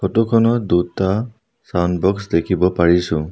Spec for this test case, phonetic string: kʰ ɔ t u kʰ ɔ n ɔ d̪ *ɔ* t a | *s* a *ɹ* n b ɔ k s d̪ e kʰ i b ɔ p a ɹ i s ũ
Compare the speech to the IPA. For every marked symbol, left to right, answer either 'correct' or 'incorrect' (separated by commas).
incorrect, correct, incorrect